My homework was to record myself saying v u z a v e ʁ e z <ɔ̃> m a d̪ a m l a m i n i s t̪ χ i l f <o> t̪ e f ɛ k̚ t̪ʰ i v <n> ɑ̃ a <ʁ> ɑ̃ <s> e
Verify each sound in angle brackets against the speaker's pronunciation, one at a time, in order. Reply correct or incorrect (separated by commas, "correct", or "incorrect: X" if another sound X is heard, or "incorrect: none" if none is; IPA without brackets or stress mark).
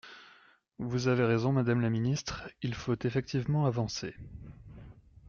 correct, correct, incorrect: m, incorrect: v, correct